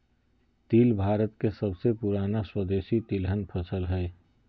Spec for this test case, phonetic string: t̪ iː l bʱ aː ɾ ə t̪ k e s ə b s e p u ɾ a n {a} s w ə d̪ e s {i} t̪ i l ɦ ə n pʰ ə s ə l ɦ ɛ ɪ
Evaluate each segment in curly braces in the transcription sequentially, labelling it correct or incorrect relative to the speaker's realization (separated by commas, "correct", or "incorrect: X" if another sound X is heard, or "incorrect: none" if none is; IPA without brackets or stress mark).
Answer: correct, correct